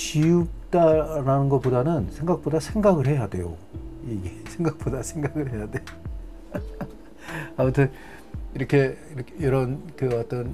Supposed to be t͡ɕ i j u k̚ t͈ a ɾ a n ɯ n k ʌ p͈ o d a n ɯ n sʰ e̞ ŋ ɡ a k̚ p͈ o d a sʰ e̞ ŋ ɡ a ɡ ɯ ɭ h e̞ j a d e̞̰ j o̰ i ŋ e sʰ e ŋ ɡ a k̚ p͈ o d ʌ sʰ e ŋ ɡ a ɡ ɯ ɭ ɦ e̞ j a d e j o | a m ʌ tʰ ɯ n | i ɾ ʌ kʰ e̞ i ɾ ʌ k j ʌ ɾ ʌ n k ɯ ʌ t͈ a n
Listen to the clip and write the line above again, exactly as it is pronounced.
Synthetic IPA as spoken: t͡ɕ i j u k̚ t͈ a ɾ a n ɯ n ɡ ʌ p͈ o d a n ɯ n sʰ e̞ ŋ ɡ a k̚ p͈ o d a sʰ e̞ ŋ ɡ a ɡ ɯ ɭ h e̞ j a d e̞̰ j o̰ i ɡ e sʰ e ŋ ɡ a k̚ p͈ o d a sʰ e ŋ ɡ a ɡ ɯ ɭ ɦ e̞ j a d e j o | a m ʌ tʰ ɯ n | i ɾ ʌ kʰ e̞ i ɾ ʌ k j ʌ ɾ ʌ n k ɯ ʌ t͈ ʌ n